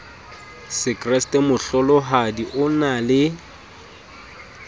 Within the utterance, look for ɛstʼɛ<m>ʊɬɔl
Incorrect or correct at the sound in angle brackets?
correct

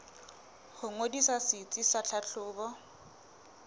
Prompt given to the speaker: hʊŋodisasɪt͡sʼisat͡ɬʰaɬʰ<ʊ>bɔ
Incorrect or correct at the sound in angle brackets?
incorrect: ʊː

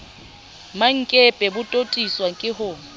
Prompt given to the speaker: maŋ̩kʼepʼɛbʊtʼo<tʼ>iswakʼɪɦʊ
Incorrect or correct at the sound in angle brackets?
correct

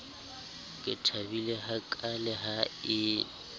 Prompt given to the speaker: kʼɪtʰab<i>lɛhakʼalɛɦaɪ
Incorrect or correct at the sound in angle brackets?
correct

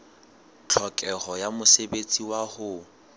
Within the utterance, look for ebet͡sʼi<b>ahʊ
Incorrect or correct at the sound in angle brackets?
incorrect: w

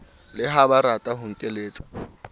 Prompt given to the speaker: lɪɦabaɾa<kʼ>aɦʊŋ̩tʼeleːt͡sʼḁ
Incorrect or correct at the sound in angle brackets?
incorrect: tʼ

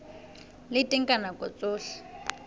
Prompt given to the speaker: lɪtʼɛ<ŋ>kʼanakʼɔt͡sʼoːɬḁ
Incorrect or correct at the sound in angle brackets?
correct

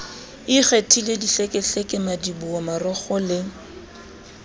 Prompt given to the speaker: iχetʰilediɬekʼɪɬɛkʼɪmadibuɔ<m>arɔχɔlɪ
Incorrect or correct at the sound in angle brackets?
correct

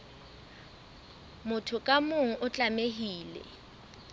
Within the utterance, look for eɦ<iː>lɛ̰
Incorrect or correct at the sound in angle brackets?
correct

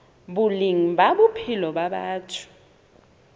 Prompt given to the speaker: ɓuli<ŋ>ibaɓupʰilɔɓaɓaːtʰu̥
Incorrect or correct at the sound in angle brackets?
correct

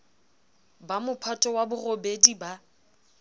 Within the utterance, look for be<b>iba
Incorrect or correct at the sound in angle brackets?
incorrect: d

